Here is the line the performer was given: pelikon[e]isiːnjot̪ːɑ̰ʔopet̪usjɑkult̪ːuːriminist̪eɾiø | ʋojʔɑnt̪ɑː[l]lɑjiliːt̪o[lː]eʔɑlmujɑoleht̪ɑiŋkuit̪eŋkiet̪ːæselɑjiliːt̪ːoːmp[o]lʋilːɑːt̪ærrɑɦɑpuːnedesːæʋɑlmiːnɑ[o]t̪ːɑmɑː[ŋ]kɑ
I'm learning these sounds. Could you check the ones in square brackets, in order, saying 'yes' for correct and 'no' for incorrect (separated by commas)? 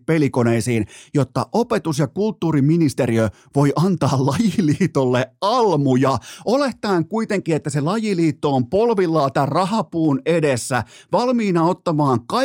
yes, yes, yes, yes, yes, yes